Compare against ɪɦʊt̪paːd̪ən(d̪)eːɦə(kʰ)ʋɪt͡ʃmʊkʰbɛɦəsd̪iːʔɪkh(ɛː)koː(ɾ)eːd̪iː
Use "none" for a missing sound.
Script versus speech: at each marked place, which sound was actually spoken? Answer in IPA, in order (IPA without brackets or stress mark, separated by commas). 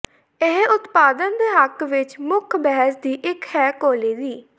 d̪, k, ɛː, l